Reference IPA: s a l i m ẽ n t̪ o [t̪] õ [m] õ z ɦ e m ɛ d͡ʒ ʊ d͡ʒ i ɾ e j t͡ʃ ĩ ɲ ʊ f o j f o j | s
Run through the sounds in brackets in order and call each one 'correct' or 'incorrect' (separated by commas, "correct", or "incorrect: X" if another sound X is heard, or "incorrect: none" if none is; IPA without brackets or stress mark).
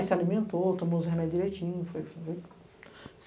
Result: correct, correct